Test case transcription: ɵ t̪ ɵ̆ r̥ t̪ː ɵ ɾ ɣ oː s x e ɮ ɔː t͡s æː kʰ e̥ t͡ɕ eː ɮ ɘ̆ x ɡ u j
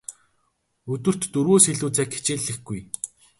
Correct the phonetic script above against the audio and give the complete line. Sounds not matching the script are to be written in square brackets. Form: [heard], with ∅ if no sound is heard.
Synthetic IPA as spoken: ɵ t̪ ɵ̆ r̥ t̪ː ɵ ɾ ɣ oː s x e ɮ [uː] t͡s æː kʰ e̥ t͡ɕ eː ɮ ɘ̆ x ɡ u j